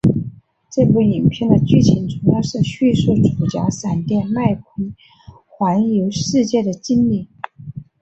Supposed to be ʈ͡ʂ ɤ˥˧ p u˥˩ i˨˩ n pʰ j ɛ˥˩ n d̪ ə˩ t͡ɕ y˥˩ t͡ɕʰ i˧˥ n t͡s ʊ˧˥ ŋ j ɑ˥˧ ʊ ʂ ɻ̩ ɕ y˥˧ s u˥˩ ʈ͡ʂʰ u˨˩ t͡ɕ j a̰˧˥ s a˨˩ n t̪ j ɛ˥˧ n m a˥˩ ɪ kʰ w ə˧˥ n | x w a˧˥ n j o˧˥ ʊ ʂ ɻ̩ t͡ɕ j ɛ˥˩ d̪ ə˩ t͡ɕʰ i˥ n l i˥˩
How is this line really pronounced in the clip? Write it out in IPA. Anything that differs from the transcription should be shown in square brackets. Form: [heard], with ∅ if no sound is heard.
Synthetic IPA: ʈ͡ʂ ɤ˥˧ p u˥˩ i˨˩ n pʰ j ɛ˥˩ n d̪ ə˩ t͡ɕ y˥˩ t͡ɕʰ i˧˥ n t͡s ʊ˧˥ ŋ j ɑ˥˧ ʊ ʂ ɻ̩ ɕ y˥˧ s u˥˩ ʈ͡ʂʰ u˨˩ t͡ɕ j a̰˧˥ s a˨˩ n t̪ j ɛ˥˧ n m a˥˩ ɪ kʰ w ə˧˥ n | x w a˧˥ n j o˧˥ ʊ ʂ ɻ̩ t͡ɕ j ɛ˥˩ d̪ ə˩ [t͡ɕ] i˥ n l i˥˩